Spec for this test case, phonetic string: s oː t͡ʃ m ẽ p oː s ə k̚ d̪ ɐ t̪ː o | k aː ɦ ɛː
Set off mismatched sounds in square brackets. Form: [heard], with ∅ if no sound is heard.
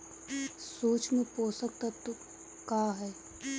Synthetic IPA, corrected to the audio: s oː t͡ʃ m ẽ p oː s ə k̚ [t̪] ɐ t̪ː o | k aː ɦ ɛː